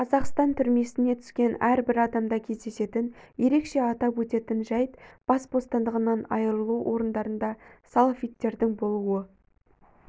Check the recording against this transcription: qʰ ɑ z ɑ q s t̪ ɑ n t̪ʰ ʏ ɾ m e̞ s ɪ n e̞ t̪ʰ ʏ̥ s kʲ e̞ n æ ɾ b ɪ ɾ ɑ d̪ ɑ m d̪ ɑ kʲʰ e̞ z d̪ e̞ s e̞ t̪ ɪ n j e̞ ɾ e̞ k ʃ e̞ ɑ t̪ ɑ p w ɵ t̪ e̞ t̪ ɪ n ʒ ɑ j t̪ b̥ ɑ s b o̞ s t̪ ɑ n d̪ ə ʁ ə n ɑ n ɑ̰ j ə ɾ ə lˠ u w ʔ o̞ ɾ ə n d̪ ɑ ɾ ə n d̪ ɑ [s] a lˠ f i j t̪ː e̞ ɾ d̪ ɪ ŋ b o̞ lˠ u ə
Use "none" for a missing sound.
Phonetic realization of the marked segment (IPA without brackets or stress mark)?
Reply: s